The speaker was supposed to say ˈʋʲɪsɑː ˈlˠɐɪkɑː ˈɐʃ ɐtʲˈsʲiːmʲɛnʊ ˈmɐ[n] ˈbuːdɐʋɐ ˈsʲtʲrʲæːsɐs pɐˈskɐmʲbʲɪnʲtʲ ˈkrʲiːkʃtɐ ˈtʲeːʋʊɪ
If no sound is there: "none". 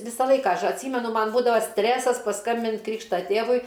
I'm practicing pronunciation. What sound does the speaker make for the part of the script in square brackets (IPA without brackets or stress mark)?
n